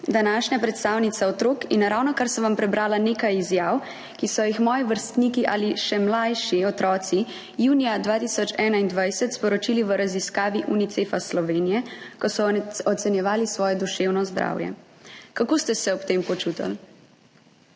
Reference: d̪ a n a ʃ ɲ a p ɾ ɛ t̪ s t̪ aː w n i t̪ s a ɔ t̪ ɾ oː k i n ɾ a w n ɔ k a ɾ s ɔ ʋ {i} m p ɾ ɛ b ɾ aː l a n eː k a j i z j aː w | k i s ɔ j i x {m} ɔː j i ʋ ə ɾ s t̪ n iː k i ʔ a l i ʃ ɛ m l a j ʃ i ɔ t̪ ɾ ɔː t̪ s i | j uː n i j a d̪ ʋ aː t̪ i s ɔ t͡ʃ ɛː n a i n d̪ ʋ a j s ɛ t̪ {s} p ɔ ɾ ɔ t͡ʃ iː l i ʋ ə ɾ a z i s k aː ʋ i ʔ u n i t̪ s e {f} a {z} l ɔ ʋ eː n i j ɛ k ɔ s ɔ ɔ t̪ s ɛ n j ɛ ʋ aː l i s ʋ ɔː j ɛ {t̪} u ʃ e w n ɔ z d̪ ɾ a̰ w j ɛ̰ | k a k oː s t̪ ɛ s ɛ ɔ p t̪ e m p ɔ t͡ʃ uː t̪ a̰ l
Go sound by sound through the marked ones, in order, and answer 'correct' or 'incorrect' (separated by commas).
incorrect, correct, correct, correct, incorrect, incorrect